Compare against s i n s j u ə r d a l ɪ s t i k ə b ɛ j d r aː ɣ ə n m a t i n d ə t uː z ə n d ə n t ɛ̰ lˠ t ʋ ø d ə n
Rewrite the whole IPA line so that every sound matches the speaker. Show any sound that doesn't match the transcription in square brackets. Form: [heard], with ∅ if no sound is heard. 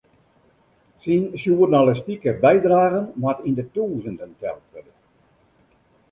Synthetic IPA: s i n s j u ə r [n] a l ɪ s t i k ə b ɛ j d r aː ɣ ə n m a t i n d ə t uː z ə n d ə n t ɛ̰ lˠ t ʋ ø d ə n